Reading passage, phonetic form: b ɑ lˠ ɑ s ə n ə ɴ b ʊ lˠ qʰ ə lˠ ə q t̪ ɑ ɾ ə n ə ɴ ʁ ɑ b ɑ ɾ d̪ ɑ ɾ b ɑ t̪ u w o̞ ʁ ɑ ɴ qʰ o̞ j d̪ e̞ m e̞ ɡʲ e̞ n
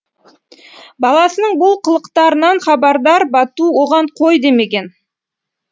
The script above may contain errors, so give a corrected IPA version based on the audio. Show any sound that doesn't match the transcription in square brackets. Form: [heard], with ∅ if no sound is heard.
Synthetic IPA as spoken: b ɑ lˠ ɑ s ə n ə ɴ b ʊ lˠ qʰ ə lˠ ə q t̪ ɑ ɾ ə n [ɑ] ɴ [χ] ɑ b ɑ ɾ d̪ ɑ ɾ b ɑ t̪ u w o̞ ʁ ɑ ɴ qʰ o̞ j d̪ e̞ m e̞ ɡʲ e̞ n